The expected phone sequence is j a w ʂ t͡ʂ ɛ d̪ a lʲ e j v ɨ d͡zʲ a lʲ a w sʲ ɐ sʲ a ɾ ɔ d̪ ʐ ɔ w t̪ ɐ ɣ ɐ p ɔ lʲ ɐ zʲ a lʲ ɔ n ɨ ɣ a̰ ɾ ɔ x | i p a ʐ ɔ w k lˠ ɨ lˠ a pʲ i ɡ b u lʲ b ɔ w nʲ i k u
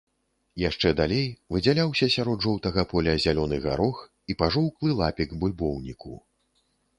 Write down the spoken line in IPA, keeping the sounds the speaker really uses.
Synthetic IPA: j a ʂ t͡ʂ ɛ d̪ a lʲ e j v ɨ d͡zʲ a lʲ a w sʲ ɐ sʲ a ɾ ɔ d̪ ʐ ɔ w t̪ ɐ ɣ ɐ p ɔ lʲ ɐ zʲ a lʲ ɔ n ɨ ɣ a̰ ɾ ɔ x | i p a ʐ ɔ w k lˠ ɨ lˠ a pʲ i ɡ b u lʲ b ɔ w nʲ i k u

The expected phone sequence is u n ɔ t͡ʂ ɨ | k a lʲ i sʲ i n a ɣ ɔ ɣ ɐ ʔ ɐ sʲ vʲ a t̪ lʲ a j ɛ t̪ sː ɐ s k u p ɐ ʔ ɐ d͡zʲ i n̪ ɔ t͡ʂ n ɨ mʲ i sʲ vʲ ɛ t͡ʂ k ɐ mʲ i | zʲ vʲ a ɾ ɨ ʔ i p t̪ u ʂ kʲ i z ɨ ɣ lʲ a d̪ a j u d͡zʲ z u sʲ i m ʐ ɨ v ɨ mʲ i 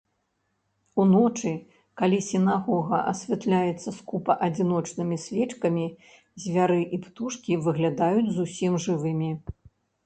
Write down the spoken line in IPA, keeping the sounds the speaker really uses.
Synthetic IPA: u n ɔ t͡ʂ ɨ | k a lʲ i sʲ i n a ɣ ɔ ɣ ɐ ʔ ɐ sʲ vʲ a t̪ lʲ a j ɛ t̪ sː ɐ s k u p ɐ ʔ ɐ d͡zʲ i n̪ ɔ t͡ʂ n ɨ mʲ i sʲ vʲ ɛ t͡ʂ k ɐ mʲ i | zʲ vʲ a ɾ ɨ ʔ i p t̪ u ʂ kʲ i v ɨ ɣ lʲ a d̪ a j u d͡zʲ z u sʲ i m ʐ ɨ v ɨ mʲ i

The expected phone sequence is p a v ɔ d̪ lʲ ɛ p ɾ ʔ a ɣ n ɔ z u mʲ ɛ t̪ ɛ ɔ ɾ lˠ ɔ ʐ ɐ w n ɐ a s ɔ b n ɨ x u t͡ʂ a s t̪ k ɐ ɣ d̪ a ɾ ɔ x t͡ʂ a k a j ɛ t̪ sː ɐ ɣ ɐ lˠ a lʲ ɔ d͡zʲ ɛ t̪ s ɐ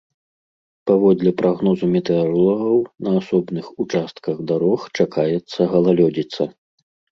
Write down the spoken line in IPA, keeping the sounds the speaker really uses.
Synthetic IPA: p a v ɔ d̪ lʲ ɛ p ɾ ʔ a ɣ n ɔ z u mʲ ɛ t̪ ɛ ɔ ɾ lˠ ɔ ɣ ɐ w n ɐ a s ɔ b n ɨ x u t͡ʂ a s t̪ k ɐ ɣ d̪ a ɾ ɔ x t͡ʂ a k a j ɛ t̪ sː ɐ ɣ ɐ lˠ a lʲ ɔ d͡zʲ i t̪ s ɐ

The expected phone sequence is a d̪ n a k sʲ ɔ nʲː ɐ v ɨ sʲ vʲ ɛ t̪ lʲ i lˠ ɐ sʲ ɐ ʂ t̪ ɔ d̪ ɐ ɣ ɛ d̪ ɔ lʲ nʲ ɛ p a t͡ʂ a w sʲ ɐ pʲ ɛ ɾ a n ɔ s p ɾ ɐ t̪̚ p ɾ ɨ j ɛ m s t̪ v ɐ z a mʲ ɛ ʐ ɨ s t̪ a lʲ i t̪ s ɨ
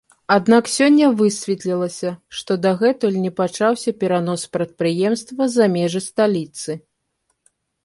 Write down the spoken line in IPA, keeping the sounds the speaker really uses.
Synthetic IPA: a d̪ n a k sʲ ɔ nʲː ɐ v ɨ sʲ vʲ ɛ t̪ lʲ i lˠ ɐ sʲ ɐ ʂ t̪ ɔ d̪ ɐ ɣ ɛ t̪ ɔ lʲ nʲ ɛ p a t͡ʂ a w sʲ ɐ pʲ ɛ ɾ a n ɔ s p ɾ ɐ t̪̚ p ɾ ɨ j ɛ m s t̪ v ɐ z a mʲ ɛ ʐ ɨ s t̪ a lʲ i t̪ s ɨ

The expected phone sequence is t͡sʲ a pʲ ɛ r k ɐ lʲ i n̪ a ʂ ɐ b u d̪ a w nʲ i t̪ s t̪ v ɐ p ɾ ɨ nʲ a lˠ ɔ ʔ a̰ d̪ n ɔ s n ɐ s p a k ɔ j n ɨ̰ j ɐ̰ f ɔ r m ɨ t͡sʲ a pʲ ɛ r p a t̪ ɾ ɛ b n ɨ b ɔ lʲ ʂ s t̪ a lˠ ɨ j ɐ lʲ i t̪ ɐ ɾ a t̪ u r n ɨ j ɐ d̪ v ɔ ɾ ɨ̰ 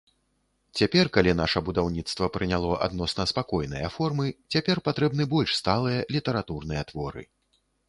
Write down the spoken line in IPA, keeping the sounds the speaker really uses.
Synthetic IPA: t͡sʲ a pʲ ɛ r k a lʲ i n̪ a ʂ ɐ b u d̪ a w nʲ i t̪ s t̪ v ɐ p ɾ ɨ nʲ a lˠ ɔ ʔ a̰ d̪ n ɔ s n ɐ s p a k ɔ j n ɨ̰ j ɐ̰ f ɔ r m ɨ t͡sʲ a pʲ ɛ r p a t̪ ɾ ɛ b n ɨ b ɔ lʲ ʂ s t̪ a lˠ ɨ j ɐ lʲ i t̪ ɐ ɾ a t̪ u r n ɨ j ɐ t̪ v ɔ ɾ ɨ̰

